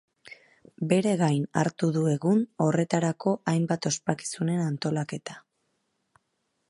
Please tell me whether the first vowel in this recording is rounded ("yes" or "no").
no